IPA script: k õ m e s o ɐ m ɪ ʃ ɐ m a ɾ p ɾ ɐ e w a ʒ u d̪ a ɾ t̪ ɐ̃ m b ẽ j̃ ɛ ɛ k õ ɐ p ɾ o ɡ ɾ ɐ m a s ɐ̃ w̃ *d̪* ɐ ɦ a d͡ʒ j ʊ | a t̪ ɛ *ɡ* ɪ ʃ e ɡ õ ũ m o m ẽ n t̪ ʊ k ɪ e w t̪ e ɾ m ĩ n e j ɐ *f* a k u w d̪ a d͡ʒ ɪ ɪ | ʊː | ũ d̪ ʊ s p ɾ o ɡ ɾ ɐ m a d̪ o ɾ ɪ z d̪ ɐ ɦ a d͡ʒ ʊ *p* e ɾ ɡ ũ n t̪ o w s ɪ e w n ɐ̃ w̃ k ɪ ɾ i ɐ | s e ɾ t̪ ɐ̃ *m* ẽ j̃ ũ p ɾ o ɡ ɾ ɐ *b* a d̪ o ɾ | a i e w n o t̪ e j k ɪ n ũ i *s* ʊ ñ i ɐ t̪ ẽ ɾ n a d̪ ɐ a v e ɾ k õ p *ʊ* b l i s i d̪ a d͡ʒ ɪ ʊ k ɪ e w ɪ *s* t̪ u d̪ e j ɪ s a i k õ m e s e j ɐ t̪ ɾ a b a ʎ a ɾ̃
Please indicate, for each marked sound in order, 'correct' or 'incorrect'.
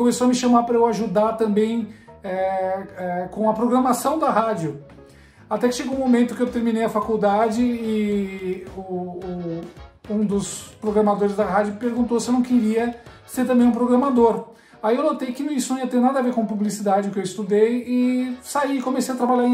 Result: correct, incorrect: k, correct, correct, incorrect: b, incorrect: m, correct, incorrect: u, correct

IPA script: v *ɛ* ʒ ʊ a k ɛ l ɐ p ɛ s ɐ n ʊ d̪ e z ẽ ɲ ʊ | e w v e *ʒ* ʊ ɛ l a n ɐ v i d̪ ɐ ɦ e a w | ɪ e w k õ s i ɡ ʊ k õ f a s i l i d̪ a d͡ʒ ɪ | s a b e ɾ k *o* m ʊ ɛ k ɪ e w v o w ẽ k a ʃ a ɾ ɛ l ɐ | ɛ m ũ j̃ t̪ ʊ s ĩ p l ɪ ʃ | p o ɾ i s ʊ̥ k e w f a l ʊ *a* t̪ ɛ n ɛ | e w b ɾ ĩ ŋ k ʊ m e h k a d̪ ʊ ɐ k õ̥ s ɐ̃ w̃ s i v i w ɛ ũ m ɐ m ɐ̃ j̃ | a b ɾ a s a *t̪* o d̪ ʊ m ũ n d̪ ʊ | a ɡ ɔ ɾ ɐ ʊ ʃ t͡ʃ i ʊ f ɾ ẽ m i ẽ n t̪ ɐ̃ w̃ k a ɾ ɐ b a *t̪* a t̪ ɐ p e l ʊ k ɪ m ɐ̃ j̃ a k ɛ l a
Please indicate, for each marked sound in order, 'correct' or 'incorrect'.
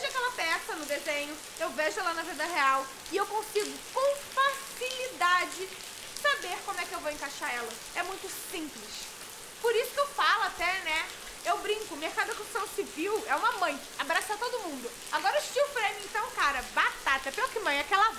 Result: incorrect: e, correct, incorrect: õ, correct, correct, correct

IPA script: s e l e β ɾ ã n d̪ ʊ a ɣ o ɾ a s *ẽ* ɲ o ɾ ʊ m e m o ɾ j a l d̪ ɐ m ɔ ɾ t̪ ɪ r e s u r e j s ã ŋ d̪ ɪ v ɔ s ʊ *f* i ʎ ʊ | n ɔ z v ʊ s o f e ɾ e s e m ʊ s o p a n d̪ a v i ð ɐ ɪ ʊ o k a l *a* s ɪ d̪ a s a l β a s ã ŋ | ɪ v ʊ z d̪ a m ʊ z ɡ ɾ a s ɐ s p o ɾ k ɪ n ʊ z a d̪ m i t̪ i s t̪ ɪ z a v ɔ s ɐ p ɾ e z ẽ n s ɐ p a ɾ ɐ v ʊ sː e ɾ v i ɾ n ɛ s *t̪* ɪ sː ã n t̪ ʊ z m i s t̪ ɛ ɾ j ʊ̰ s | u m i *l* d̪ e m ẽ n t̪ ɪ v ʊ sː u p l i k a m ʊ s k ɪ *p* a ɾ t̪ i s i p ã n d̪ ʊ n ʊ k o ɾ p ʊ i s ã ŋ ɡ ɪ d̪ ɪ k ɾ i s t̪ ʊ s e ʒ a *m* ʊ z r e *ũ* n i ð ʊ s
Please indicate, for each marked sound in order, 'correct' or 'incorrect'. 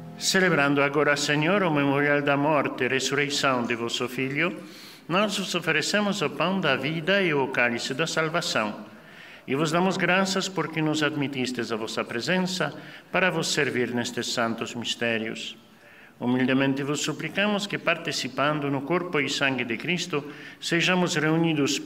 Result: incorrect: e, correct, incorrect: i, correct, correct, correct, correct, incorrect: u

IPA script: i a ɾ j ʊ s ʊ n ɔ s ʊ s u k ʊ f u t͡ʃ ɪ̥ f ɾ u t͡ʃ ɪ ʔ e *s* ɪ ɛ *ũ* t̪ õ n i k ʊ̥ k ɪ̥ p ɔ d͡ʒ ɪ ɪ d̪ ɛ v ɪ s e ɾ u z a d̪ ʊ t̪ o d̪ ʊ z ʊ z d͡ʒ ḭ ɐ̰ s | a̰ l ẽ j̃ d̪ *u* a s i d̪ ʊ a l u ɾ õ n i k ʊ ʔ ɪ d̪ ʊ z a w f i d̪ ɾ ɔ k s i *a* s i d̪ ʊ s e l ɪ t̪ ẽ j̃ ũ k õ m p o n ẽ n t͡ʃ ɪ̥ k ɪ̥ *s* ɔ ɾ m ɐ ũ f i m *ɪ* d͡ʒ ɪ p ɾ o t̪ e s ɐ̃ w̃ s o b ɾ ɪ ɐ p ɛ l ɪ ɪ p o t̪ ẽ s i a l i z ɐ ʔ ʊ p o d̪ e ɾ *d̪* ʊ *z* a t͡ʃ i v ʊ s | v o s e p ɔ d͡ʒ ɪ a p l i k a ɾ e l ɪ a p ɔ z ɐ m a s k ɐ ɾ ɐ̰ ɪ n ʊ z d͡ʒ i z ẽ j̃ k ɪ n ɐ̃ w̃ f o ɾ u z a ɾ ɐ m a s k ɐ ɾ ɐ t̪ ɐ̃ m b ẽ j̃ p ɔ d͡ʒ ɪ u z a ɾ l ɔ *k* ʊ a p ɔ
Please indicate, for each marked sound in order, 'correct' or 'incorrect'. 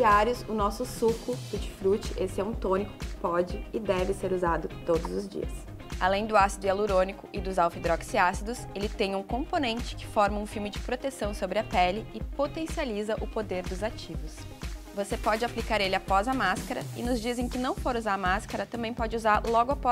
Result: correct, correct, incorrect: ʊ, correct, incorrect: f, correct, correct, correct, incorrect: ɡ

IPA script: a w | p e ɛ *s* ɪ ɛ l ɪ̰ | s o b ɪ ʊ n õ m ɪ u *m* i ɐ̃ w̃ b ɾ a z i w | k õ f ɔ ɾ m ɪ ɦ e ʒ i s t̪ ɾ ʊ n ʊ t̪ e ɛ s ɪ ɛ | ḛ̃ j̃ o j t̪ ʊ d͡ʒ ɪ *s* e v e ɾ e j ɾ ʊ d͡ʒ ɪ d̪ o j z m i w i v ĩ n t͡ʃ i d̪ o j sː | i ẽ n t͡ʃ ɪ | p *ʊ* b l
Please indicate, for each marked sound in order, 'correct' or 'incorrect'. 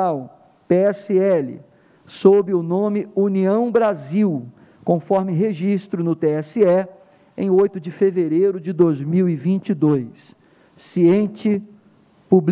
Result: correct, incorrect: n, incorrect: f, incorrect: u

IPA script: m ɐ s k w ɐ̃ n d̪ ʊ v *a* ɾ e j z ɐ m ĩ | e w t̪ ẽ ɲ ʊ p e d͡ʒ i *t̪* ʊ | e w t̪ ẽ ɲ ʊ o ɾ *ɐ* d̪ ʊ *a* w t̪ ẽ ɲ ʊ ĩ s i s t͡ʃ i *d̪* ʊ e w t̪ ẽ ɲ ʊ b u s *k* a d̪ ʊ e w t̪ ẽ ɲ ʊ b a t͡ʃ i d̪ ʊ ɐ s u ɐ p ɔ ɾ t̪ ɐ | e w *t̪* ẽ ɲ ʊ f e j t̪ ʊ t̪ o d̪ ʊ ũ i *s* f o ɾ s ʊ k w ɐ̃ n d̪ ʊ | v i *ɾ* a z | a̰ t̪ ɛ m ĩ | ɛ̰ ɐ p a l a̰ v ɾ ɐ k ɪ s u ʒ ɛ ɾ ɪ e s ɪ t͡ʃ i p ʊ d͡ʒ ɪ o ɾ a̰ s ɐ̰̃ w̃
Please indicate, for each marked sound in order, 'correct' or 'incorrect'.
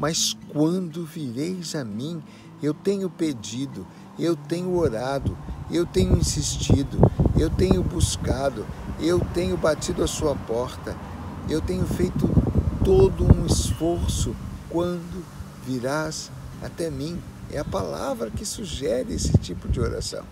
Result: incorrect: i, incorrect: d̪, incorrect: a, incorrect: e, correct, correct, correct, correct, correct

